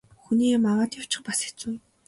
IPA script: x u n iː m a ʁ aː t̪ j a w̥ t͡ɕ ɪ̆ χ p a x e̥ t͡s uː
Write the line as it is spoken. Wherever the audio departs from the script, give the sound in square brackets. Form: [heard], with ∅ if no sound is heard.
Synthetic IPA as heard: x u n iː m a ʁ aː t̪ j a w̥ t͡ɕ ɪ̆ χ p a [s] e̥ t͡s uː